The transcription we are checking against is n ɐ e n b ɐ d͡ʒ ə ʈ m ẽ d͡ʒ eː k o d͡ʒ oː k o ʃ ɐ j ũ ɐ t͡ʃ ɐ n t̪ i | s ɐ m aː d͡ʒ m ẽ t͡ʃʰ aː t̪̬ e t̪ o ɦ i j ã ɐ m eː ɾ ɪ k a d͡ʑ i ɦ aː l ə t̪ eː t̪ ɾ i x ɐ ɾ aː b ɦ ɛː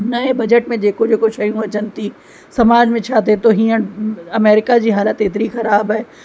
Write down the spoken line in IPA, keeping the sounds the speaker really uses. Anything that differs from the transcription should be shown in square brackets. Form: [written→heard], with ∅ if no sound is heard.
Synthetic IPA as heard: n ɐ e [n→∅] b ɐ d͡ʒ ə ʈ m ẽ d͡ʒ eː k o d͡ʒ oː k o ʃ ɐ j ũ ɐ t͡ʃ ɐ n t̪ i | s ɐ m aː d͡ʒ m ẽ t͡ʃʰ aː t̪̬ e t̪ o ɦ i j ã ɐ m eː ɾ ɪ k a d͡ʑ i ɦ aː l ə t̪ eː t̪ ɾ i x ɐ ɾ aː b ɦ ɛː